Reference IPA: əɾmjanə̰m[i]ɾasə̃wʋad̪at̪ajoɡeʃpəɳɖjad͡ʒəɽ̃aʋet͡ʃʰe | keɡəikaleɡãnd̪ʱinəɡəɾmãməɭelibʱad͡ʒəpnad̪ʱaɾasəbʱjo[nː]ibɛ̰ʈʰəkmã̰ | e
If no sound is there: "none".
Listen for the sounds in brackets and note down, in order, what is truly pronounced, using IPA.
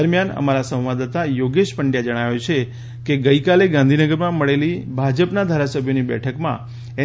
a, n

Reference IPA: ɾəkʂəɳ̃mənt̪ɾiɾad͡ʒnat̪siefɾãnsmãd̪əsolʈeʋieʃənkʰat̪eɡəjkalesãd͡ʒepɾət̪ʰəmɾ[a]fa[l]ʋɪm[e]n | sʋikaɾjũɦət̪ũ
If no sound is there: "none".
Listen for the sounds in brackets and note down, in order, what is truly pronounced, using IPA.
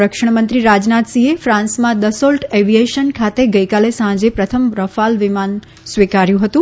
ə, l, a

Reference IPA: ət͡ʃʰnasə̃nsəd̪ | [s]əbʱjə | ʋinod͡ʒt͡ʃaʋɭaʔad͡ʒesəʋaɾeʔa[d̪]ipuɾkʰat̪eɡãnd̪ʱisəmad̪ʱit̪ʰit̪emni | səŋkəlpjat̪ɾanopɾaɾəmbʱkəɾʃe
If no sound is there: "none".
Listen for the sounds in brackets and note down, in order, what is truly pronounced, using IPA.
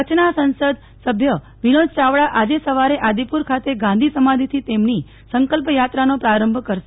s, d̪

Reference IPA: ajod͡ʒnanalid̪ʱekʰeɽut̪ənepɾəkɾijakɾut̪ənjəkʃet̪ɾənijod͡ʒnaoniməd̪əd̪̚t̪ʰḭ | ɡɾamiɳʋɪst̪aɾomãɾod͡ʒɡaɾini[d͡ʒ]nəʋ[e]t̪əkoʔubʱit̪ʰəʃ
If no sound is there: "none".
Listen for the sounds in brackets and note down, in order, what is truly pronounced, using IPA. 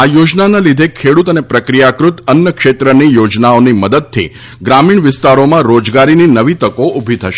none, i

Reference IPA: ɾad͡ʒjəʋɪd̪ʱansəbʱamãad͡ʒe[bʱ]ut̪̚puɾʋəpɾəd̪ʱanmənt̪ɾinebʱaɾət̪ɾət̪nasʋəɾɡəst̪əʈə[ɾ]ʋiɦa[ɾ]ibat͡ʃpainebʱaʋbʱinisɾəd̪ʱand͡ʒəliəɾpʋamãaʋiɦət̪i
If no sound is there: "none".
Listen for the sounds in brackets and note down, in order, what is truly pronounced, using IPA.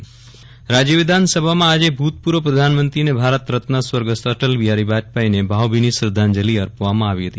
bʱ, l, ɾ

